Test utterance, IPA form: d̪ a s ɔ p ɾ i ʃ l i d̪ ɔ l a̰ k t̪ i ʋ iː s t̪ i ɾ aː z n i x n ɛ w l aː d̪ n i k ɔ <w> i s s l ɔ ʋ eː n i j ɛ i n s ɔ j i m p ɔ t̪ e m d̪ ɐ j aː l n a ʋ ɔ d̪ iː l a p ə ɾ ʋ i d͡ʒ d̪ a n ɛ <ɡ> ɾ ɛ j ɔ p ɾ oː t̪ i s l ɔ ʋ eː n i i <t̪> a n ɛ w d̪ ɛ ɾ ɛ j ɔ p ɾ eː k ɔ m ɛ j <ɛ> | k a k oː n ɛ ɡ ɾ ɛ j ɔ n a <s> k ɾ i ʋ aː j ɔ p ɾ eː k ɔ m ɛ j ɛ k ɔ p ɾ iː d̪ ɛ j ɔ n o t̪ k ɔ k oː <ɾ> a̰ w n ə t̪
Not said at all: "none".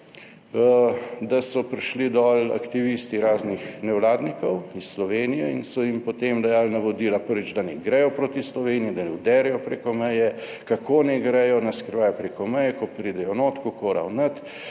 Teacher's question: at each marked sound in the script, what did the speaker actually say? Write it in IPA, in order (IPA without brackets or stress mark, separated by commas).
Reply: w, ɡ, d̪, ɛ, s, ɾ